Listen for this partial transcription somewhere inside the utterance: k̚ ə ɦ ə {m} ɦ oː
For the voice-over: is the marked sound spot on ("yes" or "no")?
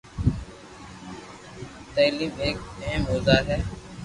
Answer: yes